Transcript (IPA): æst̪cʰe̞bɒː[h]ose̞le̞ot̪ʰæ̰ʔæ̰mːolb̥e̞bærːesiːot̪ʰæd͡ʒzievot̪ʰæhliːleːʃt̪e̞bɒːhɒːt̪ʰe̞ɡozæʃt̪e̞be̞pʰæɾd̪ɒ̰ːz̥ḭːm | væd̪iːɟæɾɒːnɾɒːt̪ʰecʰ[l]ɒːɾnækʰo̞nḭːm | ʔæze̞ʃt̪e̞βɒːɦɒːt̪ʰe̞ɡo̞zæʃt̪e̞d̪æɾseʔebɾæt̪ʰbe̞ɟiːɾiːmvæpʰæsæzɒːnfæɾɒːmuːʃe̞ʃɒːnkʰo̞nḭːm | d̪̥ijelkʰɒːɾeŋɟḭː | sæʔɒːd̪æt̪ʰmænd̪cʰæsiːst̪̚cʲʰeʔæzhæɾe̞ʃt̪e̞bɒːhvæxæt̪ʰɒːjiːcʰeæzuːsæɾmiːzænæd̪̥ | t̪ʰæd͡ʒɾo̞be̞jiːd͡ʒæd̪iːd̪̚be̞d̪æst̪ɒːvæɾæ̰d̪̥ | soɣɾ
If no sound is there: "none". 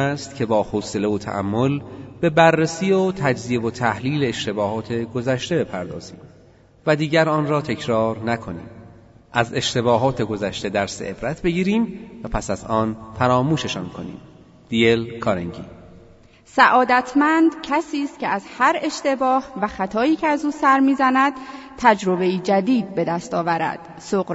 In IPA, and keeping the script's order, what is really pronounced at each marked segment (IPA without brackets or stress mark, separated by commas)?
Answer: h, ɾ